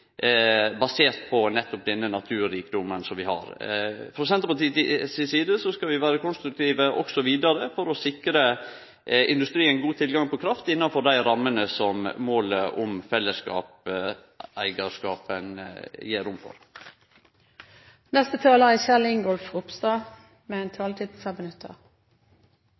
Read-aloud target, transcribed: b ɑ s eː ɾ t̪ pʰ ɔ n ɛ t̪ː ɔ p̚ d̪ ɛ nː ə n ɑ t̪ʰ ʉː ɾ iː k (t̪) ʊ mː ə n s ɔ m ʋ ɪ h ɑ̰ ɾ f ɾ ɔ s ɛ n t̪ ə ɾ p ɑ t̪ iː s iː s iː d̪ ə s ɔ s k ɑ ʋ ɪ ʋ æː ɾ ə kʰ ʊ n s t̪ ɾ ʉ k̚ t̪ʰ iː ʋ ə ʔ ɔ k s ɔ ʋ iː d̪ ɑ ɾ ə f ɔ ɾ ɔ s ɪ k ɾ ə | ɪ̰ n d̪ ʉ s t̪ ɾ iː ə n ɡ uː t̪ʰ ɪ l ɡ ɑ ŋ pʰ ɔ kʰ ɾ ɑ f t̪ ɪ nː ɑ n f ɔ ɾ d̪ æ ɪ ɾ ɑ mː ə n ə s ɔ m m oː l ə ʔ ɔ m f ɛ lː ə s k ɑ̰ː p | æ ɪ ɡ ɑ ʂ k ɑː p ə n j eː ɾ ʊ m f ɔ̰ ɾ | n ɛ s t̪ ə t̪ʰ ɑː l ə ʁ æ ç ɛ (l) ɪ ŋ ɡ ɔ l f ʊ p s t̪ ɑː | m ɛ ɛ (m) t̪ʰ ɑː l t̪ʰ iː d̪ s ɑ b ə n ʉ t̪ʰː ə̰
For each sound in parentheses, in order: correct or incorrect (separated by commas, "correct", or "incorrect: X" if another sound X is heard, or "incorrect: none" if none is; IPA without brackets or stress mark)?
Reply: incorrect: d̪, correct, incorrect: n